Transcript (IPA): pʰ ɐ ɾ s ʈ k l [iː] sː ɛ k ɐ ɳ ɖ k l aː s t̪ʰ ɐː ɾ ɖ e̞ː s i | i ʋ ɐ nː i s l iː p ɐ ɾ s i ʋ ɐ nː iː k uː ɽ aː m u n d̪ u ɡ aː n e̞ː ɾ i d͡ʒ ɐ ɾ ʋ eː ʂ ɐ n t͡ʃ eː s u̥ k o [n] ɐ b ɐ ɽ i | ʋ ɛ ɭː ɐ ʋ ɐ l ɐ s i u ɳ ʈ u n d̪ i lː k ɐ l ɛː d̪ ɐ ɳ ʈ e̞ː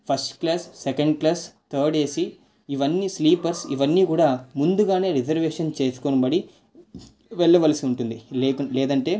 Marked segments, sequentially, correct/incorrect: incorrect, correct

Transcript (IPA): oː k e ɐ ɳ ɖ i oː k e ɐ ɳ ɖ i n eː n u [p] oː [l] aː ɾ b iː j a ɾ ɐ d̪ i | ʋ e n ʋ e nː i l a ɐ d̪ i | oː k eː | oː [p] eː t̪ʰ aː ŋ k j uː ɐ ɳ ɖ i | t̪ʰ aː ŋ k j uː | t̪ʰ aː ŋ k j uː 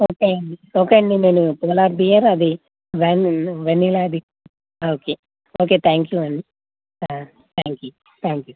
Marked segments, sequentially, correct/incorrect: correct, correct, incorrect

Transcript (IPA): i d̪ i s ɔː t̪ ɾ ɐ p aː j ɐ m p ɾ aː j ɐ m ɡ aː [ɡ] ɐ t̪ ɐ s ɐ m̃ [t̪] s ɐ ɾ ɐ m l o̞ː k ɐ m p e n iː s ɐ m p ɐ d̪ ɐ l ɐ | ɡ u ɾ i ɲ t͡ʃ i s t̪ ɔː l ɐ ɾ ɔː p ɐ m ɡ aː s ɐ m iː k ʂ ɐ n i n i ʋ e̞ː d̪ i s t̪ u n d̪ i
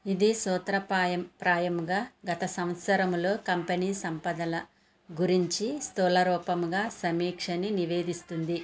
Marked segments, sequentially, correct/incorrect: correct, correct

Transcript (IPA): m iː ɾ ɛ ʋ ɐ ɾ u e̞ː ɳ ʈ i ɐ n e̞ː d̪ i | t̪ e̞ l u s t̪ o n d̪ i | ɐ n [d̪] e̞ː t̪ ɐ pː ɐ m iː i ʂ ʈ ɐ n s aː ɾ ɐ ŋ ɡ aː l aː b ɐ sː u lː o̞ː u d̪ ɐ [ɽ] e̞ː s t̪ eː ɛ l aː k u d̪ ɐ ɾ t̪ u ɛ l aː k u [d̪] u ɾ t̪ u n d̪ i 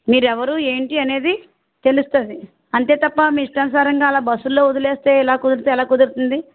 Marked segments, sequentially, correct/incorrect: incorrect, incorrect, correct

